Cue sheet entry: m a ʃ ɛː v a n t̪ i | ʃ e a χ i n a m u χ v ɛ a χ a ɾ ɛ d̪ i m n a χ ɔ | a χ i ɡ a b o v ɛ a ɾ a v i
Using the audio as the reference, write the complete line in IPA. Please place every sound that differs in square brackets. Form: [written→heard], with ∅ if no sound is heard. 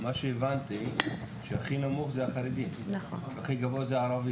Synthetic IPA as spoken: m a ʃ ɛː v a n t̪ i | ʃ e a χ i n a m u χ [v→z] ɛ a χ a ɾ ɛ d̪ i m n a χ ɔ | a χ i ɡ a [b→v] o [v→z] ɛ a ɾ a v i